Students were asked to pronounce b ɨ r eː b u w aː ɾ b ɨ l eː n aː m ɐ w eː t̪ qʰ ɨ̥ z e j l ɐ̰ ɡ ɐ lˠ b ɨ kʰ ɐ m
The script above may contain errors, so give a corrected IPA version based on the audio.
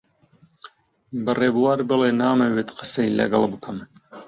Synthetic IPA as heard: b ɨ r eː b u w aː ɾ b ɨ l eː n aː m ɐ w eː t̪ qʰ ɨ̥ s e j l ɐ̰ ɡ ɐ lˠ b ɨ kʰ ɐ m